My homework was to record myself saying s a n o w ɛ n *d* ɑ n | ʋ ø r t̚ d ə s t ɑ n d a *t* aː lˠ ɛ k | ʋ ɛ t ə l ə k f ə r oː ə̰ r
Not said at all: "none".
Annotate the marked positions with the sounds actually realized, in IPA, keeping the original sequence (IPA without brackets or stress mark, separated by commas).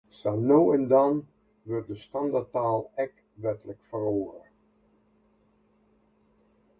d, t